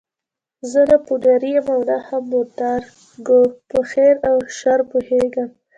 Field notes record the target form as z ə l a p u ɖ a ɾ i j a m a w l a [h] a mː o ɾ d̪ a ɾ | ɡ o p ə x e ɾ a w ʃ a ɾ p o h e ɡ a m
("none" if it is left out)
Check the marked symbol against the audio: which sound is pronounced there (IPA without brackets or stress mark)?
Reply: h